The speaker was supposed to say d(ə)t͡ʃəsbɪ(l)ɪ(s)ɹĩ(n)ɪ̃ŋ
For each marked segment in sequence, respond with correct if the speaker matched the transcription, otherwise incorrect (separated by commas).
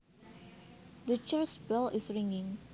correct, correct, correct, incorrect